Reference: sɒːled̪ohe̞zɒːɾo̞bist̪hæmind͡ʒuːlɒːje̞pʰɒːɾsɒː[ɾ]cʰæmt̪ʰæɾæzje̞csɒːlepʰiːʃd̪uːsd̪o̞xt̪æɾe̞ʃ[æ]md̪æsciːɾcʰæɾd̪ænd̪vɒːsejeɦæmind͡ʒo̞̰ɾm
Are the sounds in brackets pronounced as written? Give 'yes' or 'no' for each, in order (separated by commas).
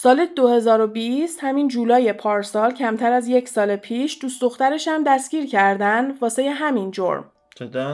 no, yes